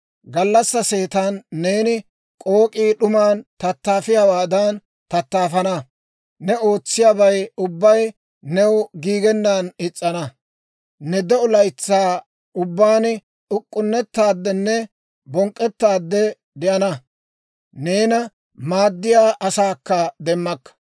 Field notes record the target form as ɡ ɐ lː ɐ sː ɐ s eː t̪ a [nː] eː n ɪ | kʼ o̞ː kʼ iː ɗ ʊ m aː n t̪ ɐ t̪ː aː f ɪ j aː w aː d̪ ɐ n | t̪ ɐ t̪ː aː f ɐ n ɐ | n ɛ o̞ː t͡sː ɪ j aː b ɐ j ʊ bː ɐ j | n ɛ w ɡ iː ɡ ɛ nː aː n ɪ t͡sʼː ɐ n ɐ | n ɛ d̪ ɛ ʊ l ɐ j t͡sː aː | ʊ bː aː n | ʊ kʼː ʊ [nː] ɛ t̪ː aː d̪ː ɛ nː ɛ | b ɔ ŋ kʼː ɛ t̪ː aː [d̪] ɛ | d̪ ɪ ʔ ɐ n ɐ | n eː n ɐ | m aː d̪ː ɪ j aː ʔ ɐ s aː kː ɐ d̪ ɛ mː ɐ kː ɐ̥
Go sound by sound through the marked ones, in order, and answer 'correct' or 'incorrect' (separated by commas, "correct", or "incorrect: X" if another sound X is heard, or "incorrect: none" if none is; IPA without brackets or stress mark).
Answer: correct, correct, incorrect: d̪ː